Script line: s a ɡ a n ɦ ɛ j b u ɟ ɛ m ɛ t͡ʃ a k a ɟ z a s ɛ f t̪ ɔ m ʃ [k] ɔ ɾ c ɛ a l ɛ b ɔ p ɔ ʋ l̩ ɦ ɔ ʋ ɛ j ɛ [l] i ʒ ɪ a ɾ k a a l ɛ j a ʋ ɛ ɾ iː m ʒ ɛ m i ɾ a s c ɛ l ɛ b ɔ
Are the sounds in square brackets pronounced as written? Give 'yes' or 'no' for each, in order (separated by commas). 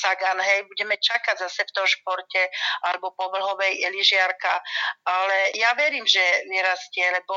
no, yes